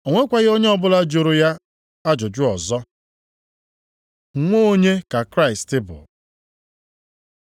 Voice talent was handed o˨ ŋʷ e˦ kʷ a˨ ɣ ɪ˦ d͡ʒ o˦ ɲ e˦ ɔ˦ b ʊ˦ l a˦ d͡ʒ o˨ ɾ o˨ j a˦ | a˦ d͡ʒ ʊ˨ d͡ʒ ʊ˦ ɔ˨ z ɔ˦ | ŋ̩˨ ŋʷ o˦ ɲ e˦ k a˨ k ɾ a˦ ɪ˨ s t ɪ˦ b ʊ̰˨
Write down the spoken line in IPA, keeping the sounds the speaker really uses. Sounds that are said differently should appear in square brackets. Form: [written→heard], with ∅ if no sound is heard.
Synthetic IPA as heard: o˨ ŋʷ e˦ kʷ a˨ ɣ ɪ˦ [d͡ʒ→∅] o˦ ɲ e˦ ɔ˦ b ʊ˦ l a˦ d͡ʒ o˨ ɾ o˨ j a˦ | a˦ d͡ʒ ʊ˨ d͡ʒ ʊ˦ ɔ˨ z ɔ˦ | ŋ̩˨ ŋʷ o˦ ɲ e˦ k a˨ k ɾ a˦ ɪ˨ s t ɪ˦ b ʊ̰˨